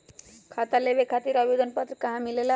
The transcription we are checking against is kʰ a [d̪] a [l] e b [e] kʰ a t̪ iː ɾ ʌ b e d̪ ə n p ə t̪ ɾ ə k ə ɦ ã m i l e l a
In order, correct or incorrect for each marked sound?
incorrect: t̪, correct, correct

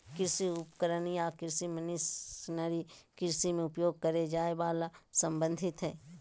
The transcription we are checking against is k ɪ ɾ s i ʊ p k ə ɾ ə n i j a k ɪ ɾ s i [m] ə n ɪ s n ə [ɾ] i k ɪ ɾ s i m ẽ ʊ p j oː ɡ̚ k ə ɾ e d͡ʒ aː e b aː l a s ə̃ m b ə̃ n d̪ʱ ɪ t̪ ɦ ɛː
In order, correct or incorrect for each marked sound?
correct, correct

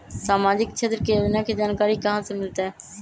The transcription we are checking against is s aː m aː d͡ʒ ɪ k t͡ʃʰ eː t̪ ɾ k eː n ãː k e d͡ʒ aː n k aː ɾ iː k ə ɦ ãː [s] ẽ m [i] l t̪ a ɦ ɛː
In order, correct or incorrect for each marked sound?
correct, incorrect: ɪ

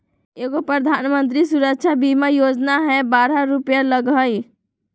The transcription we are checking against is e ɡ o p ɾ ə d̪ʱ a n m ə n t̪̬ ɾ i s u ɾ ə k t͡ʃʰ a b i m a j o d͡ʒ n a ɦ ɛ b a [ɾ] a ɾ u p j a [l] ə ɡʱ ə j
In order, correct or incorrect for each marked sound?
correct, correct

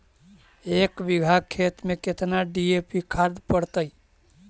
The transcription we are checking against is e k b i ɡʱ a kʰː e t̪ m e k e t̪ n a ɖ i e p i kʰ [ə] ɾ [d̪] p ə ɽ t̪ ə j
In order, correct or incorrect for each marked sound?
incorrect: a, correct

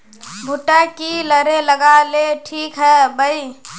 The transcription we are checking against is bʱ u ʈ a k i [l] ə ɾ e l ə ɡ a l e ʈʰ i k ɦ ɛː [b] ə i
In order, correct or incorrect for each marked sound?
correct, correct

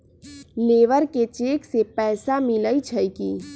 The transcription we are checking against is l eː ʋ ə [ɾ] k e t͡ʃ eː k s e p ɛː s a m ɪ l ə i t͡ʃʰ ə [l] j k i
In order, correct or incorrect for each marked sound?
correct, incorrect: none

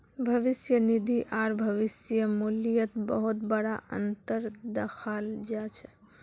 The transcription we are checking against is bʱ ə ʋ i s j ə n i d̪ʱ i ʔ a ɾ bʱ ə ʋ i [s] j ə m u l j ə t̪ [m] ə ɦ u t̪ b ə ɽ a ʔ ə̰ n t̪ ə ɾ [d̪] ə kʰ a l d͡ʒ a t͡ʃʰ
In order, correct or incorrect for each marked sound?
correct, incorrect: b, correct

